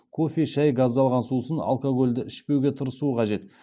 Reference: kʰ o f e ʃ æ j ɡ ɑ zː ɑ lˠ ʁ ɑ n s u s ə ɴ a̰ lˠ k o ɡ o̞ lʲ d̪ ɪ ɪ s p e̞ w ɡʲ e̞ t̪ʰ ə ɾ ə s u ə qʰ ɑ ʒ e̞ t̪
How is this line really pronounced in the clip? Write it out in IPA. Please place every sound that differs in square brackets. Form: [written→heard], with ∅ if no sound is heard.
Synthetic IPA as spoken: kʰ o f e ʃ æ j ɡ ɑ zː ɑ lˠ ʁ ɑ n s u s ə [ɴ→n] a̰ lˠ k o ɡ o̞ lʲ d̪ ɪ ɪ [s→ʃ] p e̞ w ɡʲ e̞ t̪ʰ ə ɾ ə s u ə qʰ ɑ ʒ e̞ t̪